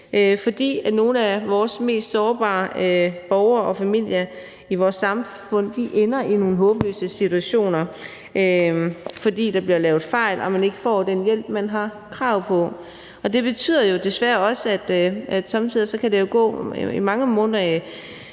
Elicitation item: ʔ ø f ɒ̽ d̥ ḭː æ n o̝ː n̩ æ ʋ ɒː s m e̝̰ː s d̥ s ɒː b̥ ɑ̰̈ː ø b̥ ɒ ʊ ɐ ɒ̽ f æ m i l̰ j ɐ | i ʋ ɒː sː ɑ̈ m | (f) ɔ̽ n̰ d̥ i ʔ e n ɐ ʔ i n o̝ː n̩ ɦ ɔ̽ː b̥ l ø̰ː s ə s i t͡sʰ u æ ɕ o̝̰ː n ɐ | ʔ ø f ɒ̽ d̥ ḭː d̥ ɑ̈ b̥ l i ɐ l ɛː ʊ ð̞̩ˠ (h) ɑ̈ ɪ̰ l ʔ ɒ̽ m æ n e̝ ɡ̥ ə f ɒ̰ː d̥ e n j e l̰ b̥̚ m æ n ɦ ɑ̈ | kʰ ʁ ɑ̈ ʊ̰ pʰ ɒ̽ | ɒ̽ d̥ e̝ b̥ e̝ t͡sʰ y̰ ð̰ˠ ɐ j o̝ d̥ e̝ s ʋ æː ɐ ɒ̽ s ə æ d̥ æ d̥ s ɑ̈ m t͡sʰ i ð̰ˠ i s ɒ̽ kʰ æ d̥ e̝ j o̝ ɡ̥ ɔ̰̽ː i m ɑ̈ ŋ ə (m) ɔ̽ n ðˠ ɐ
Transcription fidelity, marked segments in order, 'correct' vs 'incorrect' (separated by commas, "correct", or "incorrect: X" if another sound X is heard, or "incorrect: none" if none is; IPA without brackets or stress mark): correct, incorrect: f, correct